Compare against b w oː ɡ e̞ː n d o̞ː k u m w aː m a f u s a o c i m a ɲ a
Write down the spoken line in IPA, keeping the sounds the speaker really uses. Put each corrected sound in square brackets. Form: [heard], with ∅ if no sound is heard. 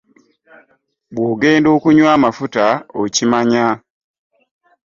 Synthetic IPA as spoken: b w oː ɡ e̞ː n d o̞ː k u [ɲ] w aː m a f u [t] a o c i m a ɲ a

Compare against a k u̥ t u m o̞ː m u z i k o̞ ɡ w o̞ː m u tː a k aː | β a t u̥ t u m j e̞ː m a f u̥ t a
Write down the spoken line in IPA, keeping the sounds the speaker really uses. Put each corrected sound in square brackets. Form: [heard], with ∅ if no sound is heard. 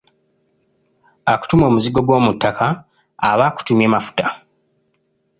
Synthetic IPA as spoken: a k u̥ t u m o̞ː m u z i [ɡ] o̞ ɡ w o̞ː m u tː a k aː | β a [k] u̥ t u m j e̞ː m a f u̥ t a

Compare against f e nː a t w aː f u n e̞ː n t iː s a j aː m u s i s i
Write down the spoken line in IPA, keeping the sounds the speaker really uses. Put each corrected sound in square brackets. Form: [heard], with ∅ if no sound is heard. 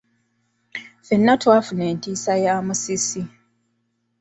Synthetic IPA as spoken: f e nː a t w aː f u n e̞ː n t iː s a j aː m u s i s i

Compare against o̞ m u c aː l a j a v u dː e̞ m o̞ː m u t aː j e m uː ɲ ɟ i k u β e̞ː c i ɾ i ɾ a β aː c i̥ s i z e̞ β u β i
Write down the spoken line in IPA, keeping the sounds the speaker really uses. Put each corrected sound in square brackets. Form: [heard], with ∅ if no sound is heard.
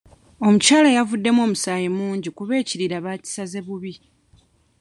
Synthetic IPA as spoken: o̞ m u c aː l a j a v u dː e̞ m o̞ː m u [s] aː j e m uː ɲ ɟ i k u β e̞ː c i ɾ i ɾ a β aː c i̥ s [a] z e̞ β u β i

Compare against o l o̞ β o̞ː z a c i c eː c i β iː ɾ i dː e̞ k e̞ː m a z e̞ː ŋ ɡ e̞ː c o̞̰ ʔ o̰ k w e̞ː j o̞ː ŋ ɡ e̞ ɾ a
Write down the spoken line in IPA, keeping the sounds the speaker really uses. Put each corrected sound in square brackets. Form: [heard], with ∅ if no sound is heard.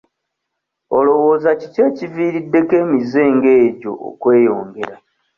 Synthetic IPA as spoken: o l o̞ [w] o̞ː z a c i c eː c i [v] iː ɾ i dː e̞ k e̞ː m [i] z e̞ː ŋ ɡ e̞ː [ɟ] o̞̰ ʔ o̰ k w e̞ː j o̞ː ŋ ɡ e̞ ɾ a

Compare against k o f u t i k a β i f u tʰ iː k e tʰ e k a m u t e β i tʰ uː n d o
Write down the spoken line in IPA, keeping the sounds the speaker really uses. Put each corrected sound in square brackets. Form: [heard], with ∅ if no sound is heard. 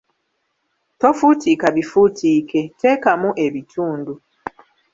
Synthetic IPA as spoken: [t] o f u t i k a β i f u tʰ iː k e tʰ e k a m u [ʔ] e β i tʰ uː n d [u]

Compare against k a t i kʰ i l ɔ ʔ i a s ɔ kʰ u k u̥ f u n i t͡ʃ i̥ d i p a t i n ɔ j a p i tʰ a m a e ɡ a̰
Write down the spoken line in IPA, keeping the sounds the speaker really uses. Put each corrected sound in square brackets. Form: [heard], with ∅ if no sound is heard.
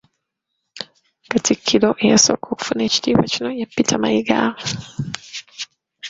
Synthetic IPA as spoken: k a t i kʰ i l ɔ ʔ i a s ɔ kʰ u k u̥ f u n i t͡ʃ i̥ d i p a [t͡ʃ] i n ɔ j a p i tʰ a m a [i] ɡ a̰

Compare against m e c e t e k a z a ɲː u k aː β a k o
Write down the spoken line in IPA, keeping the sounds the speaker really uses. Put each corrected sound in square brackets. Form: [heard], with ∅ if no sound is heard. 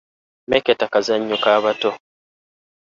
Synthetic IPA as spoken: m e [k] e t [a] k a z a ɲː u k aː β a [t] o

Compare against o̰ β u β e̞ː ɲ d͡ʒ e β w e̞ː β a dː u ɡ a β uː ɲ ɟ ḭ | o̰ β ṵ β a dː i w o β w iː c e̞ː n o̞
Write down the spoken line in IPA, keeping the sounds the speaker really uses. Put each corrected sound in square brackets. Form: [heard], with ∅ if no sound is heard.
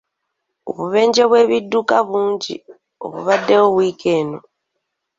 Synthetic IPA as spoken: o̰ β u β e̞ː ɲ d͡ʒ e β w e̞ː β [i] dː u [k] a β uː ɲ ɟ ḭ | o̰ β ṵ β a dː [e] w o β w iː [k] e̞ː n o̞

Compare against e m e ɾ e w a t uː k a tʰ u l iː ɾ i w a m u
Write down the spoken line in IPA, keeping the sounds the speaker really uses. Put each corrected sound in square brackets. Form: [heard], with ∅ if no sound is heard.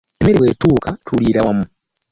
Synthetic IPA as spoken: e m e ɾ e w [e] t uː k a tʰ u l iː ɾ [a] w a m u

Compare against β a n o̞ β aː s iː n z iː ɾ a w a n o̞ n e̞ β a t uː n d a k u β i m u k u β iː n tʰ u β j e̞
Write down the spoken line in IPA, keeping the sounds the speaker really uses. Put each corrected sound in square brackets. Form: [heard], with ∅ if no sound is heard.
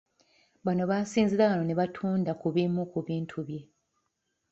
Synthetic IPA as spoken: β a n o̞ β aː s iː n z [i] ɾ a [β] a n o̞ n e̞ β a [tʰ] uː n d a k u β i m u k u β iː n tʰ u β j e̞

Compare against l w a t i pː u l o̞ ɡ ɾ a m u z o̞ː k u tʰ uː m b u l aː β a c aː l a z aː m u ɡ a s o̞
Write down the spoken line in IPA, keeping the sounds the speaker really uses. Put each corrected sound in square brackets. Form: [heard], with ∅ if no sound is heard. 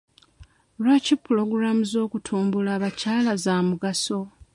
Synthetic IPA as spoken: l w a [c] i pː u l o̞ ɡ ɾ a m u z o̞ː k u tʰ uː m b u l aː β a c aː l a z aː m u ɡ a s o̞

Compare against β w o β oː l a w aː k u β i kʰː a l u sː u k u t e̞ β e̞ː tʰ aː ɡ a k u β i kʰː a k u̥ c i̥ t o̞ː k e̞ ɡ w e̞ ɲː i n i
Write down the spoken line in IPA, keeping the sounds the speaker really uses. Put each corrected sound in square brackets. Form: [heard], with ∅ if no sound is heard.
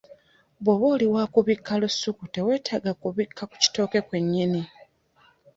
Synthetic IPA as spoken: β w o β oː l [i] w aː k u β i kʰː a l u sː u k u t e̞ [w] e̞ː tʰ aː ɡ a k u β i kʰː a k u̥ c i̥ t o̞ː k e̞ [k] w e̞ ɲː i n i

